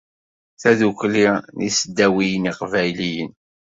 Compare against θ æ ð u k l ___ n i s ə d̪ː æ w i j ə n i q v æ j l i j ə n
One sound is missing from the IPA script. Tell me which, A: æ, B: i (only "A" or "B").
B